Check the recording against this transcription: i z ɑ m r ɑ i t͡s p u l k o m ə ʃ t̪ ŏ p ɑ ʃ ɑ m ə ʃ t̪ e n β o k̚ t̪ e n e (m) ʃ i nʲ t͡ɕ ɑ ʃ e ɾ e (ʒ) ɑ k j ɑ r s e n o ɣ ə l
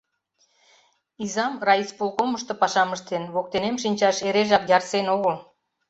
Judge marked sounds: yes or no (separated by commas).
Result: yes, yes